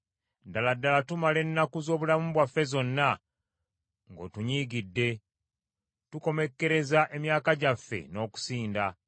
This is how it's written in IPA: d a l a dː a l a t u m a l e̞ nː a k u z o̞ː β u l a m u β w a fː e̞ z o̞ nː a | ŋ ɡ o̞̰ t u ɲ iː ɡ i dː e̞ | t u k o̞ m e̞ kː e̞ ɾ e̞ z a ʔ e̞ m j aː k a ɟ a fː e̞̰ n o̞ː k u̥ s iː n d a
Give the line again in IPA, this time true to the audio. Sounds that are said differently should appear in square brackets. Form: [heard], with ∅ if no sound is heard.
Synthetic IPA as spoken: d a l a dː a l a t u m a l e̞ nː a k u z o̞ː β u l a m u β w a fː e̞ z o̞ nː a | ŋ ɡ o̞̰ t u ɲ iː ɡ i dː e̞ | t u k o̞ m e̞ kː e̞ ɾ e̞ z a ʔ e̞ m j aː k a ɟ a fː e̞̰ n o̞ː k u̥ s iː n d a